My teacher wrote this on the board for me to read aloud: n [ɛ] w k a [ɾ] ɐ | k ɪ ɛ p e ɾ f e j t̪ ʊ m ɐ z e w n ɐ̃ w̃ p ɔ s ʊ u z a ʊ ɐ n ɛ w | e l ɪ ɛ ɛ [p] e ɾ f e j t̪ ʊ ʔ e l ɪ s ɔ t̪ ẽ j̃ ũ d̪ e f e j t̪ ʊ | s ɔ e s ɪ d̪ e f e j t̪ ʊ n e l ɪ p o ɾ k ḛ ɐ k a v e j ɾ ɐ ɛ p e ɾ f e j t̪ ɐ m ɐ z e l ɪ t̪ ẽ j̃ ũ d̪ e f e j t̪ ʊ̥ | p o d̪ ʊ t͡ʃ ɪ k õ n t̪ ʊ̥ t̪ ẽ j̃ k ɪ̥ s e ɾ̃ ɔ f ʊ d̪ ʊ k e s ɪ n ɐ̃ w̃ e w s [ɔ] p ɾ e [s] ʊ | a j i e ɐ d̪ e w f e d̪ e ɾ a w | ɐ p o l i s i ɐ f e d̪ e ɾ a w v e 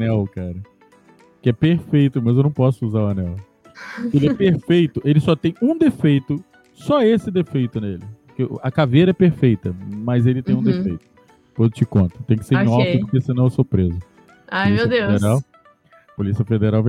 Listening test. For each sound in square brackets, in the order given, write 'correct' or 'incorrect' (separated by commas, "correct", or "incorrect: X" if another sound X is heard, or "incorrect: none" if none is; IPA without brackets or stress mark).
correct, correct, correct, incorrect: o, incorrect: z